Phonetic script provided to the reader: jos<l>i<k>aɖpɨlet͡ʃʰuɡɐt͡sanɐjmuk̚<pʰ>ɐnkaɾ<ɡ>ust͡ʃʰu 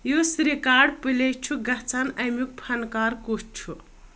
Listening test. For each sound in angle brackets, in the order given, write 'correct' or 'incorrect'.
incorrect, correct, correct, incorrect

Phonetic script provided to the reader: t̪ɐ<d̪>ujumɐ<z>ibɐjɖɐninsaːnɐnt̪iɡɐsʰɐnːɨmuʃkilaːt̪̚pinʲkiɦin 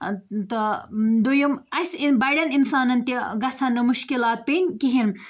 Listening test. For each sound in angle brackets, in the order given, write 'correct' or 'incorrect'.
correct, incorrect

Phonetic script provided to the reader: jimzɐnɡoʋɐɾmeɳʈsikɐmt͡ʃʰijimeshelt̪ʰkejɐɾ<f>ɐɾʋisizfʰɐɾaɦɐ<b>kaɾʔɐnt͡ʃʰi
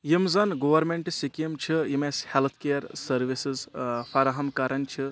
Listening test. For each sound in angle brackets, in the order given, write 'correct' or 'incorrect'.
incorrect, incorrect

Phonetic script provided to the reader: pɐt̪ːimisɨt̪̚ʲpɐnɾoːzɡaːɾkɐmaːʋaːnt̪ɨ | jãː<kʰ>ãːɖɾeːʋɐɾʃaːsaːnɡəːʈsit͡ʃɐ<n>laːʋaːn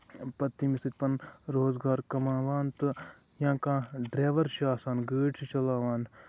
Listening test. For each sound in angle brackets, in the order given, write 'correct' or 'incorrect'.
incorrect, incorrect

